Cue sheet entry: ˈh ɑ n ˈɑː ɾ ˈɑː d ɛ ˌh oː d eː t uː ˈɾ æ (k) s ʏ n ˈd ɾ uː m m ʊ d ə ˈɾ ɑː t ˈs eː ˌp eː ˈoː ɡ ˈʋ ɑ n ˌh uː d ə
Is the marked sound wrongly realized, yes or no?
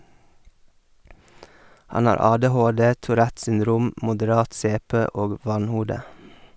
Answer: yes